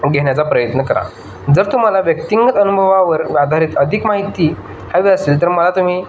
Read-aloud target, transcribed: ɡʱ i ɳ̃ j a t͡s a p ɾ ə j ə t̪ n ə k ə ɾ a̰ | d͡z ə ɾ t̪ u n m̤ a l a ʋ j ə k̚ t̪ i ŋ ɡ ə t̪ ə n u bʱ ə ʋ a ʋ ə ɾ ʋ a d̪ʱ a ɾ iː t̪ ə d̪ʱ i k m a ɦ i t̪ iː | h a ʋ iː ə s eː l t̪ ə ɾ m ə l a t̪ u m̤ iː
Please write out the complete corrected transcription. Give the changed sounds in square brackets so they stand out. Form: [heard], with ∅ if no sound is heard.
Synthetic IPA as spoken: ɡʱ [e] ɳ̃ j a t͡s a p ɾ ə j ə t̪ n ə k ə ɾ a̰ | d͡z ə ɾ t̪ u [∅] m̤ a l a ʋ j ə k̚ t̪ i ŋ ɡ ə t̪ ə n u bʱ ə ʋ a ʋ ə ɾ ʋ a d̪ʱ a ɾ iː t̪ ə d̪ʱ i k m a ɦ i t̪ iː | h a ʋ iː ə s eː l t̪ ə ɾ m ə l a t̪ u m̤ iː